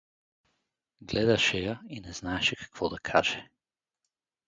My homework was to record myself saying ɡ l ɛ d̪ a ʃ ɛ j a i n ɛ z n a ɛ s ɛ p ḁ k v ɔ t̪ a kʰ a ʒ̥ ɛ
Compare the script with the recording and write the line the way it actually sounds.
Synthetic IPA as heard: ɡ l ɛ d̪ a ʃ ɛ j a i n ɛ z n a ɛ ʃ ɛ k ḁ k v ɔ d̪ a kʰ a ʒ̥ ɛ